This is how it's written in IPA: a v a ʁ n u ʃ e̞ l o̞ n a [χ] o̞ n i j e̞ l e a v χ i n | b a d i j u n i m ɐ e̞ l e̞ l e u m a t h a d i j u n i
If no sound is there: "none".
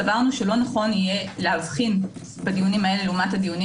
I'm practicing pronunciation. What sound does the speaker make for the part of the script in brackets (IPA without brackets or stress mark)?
χ